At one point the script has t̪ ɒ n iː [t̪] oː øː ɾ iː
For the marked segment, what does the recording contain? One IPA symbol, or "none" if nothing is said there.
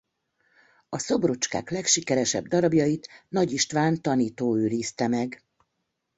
t̪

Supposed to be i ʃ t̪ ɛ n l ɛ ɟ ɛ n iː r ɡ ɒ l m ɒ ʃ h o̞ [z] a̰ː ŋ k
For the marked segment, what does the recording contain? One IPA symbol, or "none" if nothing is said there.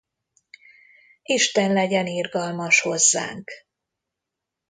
zː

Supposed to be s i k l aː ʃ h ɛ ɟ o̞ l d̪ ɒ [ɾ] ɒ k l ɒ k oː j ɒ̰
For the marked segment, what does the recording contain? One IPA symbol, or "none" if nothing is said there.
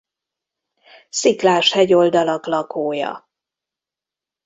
l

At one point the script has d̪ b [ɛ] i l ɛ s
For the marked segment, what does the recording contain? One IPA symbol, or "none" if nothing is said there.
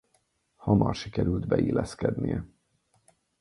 ɛ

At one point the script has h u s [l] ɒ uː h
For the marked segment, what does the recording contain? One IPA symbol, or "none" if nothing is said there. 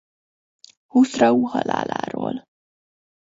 r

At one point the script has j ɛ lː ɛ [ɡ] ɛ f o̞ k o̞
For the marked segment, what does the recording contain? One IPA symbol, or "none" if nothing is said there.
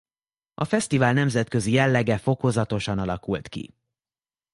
ɡ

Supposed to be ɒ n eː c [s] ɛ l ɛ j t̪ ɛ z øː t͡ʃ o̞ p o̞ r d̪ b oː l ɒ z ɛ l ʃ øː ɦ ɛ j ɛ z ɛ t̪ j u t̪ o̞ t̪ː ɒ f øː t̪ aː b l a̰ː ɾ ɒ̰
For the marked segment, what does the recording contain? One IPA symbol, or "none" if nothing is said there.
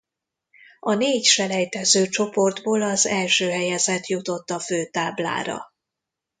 ʃ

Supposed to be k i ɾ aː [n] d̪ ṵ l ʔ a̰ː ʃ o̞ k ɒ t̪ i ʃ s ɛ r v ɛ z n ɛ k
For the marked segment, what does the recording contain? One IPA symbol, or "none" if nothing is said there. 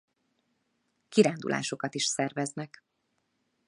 n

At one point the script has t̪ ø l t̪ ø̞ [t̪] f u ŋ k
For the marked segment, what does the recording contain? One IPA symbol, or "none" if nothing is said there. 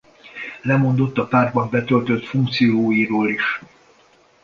t̪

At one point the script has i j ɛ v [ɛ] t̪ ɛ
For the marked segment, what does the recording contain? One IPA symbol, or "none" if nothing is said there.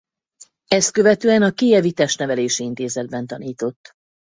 i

